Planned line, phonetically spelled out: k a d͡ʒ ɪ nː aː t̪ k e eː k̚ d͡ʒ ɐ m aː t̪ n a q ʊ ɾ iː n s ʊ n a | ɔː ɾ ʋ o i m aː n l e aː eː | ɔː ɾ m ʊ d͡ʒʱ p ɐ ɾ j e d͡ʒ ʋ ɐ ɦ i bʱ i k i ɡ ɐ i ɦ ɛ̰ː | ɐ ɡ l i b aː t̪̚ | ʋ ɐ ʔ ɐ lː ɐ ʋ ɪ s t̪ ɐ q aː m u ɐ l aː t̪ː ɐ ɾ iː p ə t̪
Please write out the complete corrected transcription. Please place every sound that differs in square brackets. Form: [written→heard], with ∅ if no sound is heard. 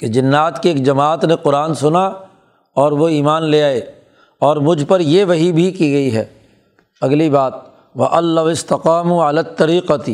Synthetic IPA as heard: k [a→e] d͡ʒ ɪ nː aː t̪ k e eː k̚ d͡ʒ ɐ m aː t̪ n [a→e] q ʊ ɾ [iː→aː] n s ʊ n a | ɔː ɾ ʋ o [i→iː] m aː n l e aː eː | ɔː ɾ m ʊ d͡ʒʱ p ɐ ɾ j e [d͡ʒ→∅] ʋ ɐ ɦ i bʱ i k i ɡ ɐ i ɦ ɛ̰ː | ɐ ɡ l i b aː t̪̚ | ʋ ɐ ʔ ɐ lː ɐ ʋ ɪ s t̪ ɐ q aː m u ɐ l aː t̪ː ɐ ɾ iː [p→q] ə t̪